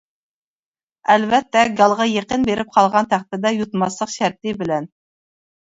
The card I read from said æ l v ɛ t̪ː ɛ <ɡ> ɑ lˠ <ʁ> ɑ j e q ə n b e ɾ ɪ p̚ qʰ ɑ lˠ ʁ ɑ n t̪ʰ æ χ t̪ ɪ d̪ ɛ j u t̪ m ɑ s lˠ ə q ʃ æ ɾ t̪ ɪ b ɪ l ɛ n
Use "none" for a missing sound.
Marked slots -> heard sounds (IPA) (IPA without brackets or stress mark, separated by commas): ɡ, ʁ